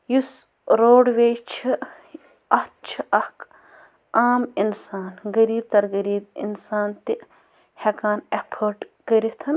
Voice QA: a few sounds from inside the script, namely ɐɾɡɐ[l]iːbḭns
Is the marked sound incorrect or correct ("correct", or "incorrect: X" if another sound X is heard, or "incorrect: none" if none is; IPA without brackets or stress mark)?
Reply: incorrect: ɾ